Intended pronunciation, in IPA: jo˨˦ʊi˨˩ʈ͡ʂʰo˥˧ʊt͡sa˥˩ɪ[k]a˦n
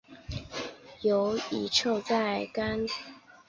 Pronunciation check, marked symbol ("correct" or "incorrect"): correct